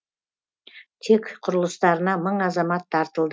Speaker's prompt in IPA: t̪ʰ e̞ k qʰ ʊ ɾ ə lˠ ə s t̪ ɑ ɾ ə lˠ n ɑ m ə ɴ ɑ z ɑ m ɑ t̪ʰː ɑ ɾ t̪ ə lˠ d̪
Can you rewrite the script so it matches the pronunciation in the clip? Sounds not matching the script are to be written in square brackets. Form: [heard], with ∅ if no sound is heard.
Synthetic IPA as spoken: t̪ʰ e̞ k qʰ ʊ ɾ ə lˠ ə s t̪ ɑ ɾ ə [∅] n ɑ m ə ɴ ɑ z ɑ m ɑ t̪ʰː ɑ ɾ t̪ ə lˠ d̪